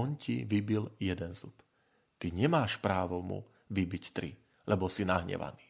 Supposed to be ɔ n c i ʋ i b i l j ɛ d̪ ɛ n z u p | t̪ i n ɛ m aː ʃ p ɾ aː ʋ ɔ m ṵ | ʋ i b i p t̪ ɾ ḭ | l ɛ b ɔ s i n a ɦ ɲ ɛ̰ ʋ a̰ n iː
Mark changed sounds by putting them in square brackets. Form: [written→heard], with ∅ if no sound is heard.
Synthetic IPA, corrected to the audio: ɔ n c i ʋ i b i l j ɛ d̪ ɛ n z u p | t̪ i [n→ɲ] ɛ m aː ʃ p ɾ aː ʋ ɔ m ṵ | ʋ i b i [p→c] t̪ ɾ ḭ | l ɛ b ɔ s i n a ɦ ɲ ɛ̰ ʋ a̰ n iː